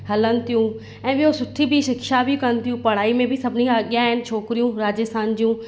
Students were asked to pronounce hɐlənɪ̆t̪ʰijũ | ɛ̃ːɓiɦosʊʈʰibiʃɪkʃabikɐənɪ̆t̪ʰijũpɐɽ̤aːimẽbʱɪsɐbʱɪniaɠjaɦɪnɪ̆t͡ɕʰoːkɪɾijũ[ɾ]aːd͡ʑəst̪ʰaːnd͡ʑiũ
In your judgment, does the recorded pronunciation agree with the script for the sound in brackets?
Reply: yes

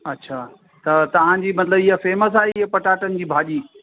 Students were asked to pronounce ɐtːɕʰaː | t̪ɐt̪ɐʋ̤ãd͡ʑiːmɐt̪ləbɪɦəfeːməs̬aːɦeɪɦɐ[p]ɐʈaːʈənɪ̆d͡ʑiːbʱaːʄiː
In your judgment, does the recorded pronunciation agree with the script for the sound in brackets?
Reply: yes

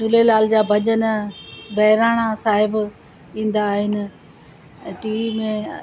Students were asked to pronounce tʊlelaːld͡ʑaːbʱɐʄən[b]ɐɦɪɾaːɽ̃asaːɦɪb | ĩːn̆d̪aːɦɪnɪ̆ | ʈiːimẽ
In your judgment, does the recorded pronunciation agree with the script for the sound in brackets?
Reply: yes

